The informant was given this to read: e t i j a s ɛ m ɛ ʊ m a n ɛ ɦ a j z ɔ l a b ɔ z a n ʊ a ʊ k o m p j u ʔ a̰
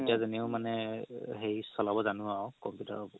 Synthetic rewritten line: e t i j a z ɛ n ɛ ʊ m a n ɛ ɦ e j s ɔ l a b ɔ z a n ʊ a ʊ k ɔ m p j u t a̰